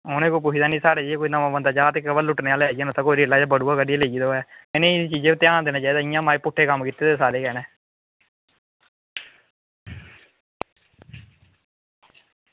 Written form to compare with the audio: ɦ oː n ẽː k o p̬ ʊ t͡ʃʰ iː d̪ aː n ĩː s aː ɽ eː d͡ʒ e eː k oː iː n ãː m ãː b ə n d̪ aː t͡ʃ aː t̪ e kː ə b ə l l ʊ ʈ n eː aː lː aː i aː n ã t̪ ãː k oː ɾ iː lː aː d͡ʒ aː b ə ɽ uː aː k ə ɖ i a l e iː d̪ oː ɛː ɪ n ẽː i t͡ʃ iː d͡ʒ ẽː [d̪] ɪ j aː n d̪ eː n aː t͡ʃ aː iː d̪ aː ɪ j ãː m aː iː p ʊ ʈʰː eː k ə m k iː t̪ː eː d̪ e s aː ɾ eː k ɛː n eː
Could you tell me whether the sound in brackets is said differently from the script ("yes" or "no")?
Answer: yes